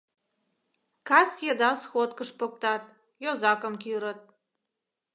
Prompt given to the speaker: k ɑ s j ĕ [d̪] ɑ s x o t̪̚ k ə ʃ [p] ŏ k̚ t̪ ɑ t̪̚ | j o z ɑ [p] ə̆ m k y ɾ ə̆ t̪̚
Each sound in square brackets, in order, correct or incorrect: correct, correct, incorrect: k

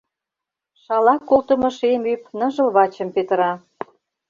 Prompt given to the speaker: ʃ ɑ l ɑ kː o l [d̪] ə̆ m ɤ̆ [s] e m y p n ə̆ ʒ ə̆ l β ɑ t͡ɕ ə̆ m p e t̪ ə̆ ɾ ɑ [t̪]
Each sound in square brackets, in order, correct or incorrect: incorrect: t̪, incorrect: ʃ, incorrect: none

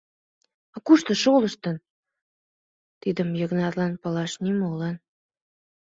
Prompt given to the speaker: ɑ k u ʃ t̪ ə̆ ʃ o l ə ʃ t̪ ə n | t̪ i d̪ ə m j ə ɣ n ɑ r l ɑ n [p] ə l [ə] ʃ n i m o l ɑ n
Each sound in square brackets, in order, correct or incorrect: correct, incorrect: ɑ

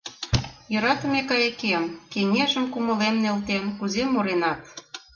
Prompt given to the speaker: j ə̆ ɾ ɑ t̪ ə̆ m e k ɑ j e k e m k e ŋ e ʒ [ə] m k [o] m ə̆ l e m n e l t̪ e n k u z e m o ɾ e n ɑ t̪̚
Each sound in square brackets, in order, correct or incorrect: correct, incorrect: u

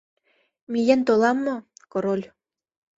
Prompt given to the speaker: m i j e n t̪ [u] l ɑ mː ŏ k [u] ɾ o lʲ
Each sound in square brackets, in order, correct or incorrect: incorrect: o, incorrect: o

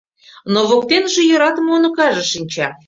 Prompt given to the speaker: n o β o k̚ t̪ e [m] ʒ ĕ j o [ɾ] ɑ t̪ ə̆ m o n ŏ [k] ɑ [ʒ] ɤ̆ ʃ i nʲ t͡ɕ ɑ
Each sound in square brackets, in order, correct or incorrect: incorrect: n, correct, correct, correct

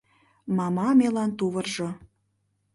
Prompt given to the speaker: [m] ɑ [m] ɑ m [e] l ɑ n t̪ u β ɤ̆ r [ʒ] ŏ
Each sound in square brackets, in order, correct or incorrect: correct, correct, correct, correct

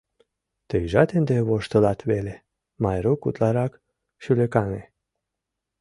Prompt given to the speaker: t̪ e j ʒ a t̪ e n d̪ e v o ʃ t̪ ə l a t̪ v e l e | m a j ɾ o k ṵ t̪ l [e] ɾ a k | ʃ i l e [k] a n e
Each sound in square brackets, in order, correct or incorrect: incorrect: a, correct

